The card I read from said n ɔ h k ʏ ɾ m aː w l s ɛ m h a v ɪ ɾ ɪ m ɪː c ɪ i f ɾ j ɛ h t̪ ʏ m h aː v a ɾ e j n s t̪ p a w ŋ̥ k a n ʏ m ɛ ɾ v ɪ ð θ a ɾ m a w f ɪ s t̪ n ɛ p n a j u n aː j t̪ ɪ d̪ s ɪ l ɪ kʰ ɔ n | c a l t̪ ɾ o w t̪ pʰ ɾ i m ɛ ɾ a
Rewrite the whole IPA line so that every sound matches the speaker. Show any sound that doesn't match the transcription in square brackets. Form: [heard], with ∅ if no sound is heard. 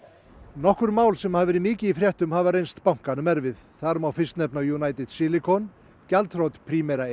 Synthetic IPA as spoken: n ɔ h k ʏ ɾ m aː w l s ɛ m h a v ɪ ɾ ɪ m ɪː c ɪ i f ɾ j ɛ h t̪ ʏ m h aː v a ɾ e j n s t̪ p a w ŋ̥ k a n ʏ m ɛ ɾ v ɪ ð θ a ɾ m a w f ɪ s t̪ n ɛ p n a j u n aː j t̪ ɪ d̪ s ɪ l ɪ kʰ ɔ n | c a l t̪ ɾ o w t̪ pʰ ɾ i m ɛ ɾ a

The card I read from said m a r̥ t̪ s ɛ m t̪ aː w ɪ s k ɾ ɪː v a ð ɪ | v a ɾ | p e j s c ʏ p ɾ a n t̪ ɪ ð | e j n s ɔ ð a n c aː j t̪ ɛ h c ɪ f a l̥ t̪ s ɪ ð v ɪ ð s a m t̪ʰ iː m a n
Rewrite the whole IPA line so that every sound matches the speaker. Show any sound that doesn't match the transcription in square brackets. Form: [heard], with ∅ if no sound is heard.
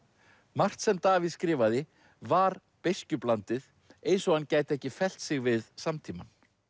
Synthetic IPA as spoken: m a r̥ t̪ s ɛ m t̪ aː [v] ɪ s k ɾ ɪː v a ð ɪ | v a ɾ | p e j s c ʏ p [l] a n t̪ ɪ ð | e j n s ɔ [ɣ] a n c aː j t̪ ɛ h c ɪ f [ɛ] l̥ t̪ s ɪ [ɣ] v ɪ ð s a m t̪ʰ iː m a n

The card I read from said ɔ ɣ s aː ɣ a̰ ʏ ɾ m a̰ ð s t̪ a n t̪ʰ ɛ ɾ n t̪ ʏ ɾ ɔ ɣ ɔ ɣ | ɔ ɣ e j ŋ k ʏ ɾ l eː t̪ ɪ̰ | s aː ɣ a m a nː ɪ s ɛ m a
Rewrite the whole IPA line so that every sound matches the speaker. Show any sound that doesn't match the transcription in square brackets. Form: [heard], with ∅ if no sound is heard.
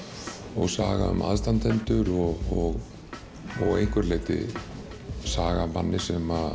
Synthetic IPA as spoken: ɔ ɣ s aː ɣ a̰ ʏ [∅] m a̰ ð s t̪ a n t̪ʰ ɛ [∅] n t̪ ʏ ɾ ɔ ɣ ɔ ɣ | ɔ ɣ e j ŋ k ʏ ɾ l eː t̪ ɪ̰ | s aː ɣ a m a nː ɪ s ɛ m a

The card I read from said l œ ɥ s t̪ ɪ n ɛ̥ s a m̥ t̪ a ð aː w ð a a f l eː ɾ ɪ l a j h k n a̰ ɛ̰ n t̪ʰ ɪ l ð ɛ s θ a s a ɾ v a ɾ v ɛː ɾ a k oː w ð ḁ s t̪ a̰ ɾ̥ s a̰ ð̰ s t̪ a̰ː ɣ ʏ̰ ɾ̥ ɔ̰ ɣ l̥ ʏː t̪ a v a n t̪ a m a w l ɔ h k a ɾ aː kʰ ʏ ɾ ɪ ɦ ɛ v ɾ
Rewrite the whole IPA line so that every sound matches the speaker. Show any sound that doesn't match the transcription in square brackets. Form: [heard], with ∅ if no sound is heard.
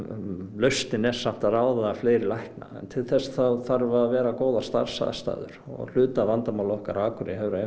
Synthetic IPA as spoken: l œ ɥ s t̪ ɪ n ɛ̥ s a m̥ t̪ a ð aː w ð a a f l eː ɾ ɪ l a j h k n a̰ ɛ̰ n t̪ʰ ɪ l [θ] ɛ s θ a [θ] a ɾ v a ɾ v ɛː ɾ a k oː w ð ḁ s t̪ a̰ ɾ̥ s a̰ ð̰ s t̪ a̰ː [ð] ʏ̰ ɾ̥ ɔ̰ ɣ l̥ ʏː t̪ a v a n t̪ a m a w l ɔ h k a ɾ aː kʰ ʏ ɾ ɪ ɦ ɛ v ɾ

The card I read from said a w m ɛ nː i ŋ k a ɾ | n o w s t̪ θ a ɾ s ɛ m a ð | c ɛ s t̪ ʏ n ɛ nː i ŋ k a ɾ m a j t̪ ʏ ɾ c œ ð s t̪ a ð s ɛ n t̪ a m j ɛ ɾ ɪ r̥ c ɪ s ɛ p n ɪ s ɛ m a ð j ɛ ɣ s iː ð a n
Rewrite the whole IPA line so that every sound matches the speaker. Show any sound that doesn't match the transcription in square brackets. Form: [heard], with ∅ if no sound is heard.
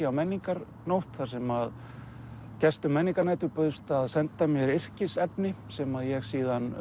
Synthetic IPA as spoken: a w m ɛ nː i ŋ k a ɾ | n o w [h] t̪ θ a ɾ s ɛ m a ð | c ɛ s t̪ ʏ [m] ɛ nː i ŋ k a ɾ [n] a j t̪ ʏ ɾ [p] œ ð s t̪ a ð s ɛ n t̪ a m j ɛ ɾ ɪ r̥ c ɪ s ɛ p n ɪ s ɛ m a ð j ɛ ɣ s iː ð a n

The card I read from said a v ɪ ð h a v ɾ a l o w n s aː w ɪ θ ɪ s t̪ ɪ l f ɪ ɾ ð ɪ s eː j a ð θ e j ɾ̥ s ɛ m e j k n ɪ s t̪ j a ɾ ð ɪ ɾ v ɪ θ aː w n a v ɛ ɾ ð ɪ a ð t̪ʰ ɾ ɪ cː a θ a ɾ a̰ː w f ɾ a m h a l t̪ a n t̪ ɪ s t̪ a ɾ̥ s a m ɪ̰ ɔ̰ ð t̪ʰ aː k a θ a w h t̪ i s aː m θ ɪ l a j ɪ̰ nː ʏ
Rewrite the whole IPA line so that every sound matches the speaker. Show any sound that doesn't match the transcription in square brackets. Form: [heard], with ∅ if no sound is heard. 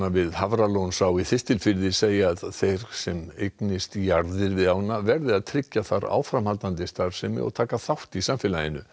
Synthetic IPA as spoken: a v ɪ ð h a v ɾ a l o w n s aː w [i] θ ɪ s t̪ ɪ l f ɪ ɾ ð ɪ s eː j a ð θ e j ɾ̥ s ɛ m e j k n ɪ s t̪ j a ɾ ð ɪ ɾ v ɪ [ð] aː w n a v ɛ ɾ ð ɪ a ð t̪ʰ ɾ ɪ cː a θ a ɾ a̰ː w f ɾ a m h a l t̪ a n t̪ ɪ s t̪ a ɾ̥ s [ɛ] m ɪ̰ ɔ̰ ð t̪ʰ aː k a θ a w h t̪ i s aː m [f] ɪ l a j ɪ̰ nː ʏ

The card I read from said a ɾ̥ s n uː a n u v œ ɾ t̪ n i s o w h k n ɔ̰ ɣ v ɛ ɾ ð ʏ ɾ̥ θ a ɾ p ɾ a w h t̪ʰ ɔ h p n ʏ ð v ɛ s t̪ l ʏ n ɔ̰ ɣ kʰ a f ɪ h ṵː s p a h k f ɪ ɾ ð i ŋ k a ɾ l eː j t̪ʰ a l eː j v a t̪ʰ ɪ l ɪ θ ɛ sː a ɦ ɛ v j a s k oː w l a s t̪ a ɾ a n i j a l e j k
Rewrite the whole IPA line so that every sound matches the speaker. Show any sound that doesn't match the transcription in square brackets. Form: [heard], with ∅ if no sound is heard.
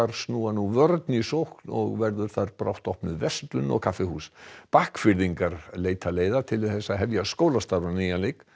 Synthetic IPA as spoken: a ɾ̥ s n uː a n u v œ ɾ t̪ n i s o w h k n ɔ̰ ɣ v ɛ ɾ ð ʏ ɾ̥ θ a ɾ p ɾ a w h [t̪] ɔ h p n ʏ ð v ɛ s t̪ l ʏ n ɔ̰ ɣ kʰ a f ɪ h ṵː s p a h k f ɪ ɾ ð i ŋ k a ɾ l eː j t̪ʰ a l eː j [ð] a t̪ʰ ɪ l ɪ θ ɛ sː a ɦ ɛ v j a s k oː w l a s t̪ a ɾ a n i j a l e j k

